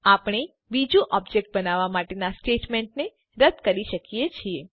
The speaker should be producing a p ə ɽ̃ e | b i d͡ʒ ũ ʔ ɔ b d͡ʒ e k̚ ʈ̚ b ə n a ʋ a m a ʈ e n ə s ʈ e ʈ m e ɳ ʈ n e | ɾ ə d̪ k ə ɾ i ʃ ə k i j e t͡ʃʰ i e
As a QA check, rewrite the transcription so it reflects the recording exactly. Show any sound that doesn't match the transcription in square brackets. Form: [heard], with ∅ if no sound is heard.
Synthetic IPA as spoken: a p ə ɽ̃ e | b i d͡ʒ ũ ʔ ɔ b d͡ʒ e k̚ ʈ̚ b ə n a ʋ a m a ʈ e n [a] s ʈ e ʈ m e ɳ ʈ n e | ɾ ə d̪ k ə ɾ i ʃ ə k i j e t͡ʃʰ i e